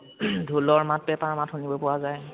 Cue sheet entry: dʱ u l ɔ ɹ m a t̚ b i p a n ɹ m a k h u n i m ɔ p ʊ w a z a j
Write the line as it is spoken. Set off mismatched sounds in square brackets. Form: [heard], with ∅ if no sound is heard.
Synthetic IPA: dʱ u l ɔ ɹ m a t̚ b [ɛ] p a [∅] ɹ m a [t] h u n i [b] ɔ p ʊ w a z a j